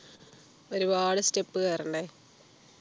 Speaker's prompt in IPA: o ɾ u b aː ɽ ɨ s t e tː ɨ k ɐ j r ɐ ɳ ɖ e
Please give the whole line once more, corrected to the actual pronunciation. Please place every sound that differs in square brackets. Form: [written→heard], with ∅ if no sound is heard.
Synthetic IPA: o ɾ u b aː ɽ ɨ s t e [tː→pː] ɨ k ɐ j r ɐ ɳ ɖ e

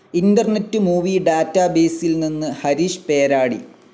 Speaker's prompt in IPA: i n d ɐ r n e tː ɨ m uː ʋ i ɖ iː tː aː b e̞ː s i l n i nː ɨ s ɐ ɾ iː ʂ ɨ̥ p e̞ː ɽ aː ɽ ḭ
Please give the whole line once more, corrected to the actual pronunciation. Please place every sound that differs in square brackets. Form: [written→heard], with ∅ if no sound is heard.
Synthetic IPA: i n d ɐ r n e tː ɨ m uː ʋ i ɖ [iː→aː] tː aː b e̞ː s i l n i nː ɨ [s→h] ɐ ɾ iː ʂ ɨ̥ p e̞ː [ɽ→ɾ] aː ɽ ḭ

